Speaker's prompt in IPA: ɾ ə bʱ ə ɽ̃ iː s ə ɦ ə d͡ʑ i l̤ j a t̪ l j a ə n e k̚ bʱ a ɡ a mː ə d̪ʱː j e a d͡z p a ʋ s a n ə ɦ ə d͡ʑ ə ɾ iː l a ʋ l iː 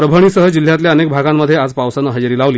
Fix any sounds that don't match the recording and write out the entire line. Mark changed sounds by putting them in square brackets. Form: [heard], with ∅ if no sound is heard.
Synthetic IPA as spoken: ɾ ə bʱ ə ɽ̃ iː s ə ɦ ə d͡ʑ i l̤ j a t̪ l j a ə n e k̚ bʱ a ɡ a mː ə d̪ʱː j e a d͡z p a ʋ s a n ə ɦ ə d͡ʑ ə ɾ iː l a ʋ l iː